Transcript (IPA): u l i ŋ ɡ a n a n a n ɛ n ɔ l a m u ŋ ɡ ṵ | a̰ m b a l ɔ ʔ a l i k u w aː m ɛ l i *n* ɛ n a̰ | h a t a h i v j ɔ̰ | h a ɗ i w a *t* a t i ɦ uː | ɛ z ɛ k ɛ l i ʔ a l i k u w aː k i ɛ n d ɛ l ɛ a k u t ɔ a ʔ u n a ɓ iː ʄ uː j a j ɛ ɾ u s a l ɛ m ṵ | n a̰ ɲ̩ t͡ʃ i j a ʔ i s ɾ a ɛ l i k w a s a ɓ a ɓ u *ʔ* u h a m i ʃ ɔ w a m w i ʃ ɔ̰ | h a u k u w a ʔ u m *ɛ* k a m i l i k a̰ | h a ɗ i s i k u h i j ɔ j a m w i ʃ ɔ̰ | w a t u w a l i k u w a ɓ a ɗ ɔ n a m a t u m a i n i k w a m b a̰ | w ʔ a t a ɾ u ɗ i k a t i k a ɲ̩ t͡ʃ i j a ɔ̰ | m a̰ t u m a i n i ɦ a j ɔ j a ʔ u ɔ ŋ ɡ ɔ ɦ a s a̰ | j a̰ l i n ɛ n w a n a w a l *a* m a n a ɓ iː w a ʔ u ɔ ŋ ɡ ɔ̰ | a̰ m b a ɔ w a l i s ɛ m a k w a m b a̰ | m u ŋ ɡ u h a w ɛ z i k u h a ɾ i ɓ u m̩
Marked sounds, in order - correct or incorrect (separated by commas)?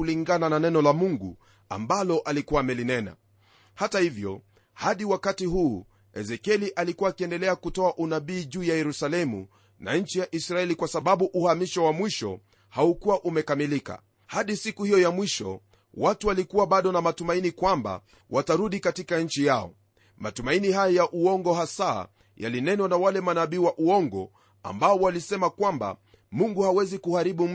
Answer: correct, incorrect, correct, correct, incorrect